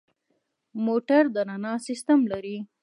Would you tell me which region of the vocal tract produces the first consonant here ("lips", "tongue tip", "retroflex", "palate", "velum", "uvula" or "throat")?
lips